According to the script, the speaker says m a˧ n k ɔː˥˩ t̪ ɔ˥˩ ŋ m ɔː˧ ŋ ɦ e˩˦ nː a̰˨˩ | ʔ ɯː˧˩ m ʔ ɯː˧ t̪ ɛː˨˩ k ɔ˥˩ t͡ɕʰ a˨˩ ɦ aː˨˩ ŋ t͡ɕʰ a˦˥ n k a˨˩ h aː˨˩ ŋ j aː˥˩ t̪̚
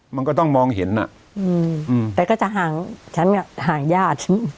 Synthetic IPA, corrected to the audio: m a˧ n k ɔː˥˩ t̪ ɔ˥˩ ŋ m ɔː˧ ŋ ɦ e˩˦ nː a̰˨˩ | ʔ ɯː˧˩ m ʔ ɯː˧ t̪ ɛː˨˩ k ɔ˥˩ t͡ɕ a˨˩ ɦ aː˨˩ ŋ t͡ɕʰ a˦˥ n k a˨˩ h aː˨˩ ŋ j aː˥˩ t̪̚